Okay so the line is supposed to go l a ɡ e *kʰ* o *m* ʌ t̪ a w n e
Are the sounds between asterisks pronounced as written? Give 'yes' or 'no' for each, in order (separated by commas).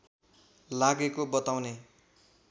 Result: no, no